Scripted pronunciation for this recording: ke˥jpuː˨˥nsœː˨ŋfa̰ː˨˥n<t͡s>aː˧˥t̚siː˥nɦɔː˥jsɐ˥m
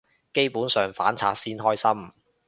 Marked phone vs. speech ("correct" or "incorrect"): incorrect